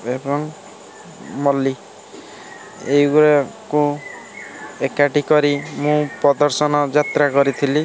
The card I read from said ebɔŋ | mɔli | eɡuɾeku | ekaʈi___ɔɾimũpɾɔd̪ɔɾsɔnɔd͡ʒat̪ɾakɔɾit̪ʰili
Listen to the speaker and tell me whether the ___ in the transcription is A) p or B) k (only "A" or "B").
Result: B